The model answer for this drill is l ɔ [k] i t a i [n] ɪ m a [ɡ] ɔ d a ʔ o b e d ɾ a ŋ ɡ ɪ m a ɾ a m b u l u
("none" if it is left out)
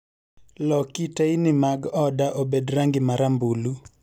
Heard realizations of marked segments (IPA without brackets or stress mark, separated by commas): k, n, ɡ